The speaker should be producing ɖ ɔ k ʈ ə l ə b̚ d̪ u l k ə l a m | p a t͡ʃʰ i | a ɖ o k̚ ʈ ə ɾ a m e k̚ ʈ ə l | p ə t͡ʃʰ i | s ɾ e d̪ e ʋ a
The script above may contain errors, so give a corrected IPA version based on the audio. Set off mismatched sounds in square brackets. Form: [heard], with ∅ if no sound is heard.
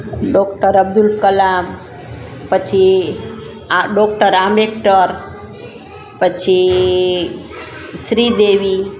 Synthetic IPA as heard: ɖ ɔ k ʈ ə [ɾ] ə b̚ d̪ u l k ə l a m | p [ə] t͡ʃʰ i | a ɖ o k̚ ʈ ə ɾ a m e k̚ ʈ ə [ɾ] | p ə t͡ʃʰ i | s ɾ [i] d̪ e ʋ [i]

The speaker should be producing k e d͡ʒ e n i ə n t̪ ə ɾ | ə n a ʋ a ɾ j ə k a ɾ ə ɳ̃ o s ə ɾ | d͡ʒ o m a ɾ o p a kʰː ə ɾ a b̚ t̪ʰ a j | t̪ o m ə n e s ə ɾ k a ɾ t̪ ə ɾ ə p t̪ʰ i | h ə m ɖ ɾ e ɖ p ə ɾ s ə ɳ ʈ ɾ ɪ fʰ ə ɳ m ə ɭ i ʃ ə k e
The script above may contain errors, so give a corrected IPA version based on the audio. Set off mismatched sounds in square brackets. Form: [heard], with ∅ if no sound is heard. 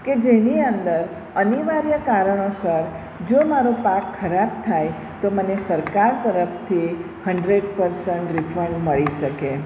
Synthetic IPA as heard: k e d͡ʒ e n i ə n [d̪] ə ɾ | ə n [i] ʋ a ɾ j ə k a ɾ ə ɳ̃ o s ə ɾ | d͡ʒ o m a ɾ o p a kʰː ə ɾ a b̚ t̪ʰ a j | t̪ o m ə n e s ə ɾ k a ɾ t̪ ə ɾ ə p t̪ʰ i | h ə [ɳ] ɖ ɾ e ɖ p ə ɾ s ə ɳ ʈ ɾ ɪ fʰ ə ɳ m ə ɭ i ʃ ə k e

